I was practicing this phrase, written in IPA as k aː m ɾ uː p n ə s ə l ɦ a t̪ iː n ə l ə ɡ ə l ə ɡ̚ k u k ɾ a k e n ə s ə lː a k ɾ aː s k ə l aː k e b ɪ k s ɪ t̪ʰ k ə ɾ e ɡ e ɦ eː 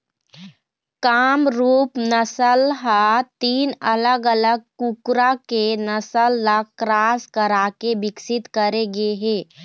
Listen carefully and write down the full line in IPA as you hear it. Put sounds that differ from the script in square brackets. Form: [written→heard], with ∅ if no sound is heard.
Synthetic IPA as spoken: k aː m ɾ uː p n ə s ə l ɦ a t̪ iː n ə l ə ɡ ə l ə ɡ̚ k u k ɾ a k e n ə s ə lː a k ɾ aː s k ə [l→ɾ] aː k e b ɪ k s ɪ [t̪ʰ→t̪] k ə ɾ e ɡ e ɦ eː